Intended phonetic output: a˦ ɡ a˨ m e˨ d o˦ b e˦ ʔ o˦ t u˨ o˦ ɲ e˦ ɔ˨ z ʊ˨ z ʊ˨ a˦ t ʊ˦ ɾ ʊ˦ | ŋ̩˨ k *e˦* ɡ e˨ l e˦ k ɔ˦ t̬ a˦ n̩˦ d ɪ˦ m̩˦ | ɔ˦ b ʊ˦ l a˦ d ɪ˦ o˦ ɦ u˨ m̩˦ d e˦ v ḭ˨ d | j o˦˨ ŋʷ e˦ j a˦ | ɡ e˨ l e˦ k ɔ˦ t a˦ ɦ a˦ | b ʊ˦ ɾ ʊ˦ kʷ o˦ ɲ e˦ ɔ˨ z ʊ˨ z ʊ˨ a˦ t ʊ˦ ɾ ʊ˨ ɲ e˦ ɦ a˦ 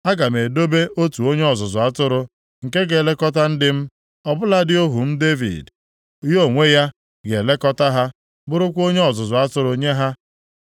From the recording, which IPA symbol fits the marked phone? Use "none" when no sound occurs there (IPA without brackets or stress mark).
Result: e˦